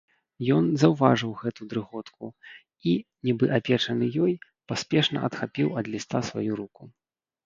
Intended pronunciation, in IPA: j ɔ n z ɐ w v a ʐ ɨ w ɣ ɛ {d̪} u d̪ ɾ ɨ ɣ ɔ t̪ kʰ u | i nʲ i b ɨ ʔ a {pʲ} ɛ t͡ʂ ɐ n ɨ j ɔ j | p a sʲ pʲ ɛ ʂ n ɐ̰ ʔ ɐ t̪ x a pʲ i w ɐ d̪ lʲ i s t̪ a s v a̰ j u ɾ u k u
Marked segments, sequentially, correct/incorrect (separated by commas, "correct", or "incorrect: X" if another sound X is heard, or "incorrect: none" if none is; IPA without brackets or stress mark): incorrect: t̪, correct